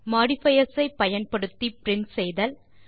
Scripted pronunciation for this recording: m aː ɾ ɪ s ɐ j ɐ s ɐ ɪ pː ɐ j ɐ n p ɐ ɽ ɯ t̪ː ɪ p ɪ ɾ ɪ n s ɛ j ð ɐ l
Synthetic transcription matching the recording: m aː ɽ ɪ f ɐ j ɐ s ɐ ɪ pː ɐ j ɐ n p ɐ ɽ ɯ t̪ː i p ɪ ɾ ɪ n s ɛ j ð ɐ l